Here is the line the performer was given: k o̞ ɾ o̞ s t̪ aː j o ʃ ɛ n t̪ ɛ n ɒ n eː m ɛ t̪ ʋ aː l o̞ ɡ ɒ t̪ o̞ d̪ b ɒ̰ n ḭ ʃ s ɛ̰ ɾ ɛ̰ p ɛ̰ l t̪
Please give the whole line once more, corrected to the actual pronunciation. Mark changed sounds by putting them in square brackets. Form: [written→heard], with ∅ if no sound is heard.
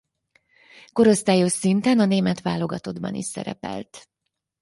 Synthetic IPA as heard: k o̞ ɾ o̞ s t̪ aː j o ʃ [ɛ→i] n t̪ ɛ n ɒ n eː m ɛ t̪ ʋ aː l o̞ ɡ ɒ t̪ o̞ d̪ b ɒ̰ n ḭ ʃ s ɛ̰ ɾ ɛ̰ p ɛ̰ l t̪